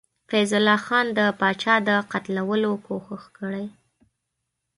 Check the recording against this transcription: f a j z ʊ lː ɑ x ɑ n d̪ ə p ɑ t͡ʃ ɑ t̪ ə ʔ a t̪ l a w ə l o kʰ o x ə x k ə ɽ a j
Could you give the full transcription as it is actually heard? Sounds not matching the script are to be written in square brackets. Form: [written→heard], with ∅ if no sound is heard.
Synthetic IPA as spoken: f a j z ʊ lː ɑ x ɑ n d̪ ə p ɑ t͡ʃ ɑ [t̪→d̪] ə [ʔ→q] a t̪ l a w ə l o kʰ o x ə x k ə ɽ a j